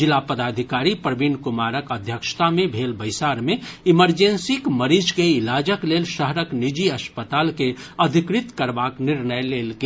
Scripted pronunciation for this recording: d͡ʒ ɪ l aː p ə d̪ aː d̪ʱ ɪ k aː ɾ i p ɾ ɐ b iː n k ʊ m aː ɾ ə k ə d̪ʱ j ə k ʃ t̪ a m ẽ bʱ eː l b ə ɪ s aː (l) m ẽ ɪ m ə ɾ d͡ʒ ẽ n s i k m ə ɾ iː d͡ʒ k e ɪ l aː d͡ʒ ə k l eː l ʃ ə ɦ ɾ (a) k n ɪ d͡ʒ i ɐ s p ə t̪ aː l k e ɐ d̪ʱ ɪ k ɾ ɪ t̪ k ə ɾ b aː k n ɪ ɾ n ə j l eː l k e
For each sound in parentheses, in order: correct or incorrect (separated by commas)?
incorrect, incorrect